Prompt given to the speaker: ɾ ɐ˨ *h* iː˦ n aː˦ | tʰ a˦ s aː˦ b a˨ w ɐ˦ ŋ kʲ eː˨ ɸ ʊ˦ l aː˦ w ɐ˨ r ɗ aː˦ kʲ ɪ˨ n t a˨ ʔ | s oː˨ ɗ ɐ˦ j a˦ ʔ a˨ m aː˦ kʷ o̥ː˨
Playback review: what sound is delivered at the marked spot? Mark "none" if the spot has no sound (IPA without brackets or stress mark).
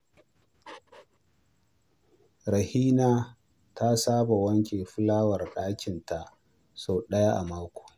h